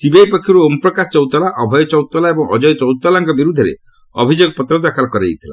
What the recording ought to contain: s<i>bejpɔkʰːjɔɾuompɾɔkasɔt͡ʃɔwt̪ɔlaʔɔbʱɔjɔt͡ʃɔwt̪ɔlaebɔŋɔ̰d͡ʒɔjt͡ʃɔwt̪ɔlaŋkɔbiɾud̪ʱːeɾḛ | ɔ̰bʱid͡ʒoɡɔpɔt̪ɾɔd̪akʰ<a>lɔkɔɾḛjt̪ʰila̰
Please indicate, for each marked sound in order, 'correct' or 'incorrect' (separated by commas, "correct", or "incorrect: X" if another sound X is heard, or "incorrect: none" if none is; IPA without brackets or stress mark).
correct, correct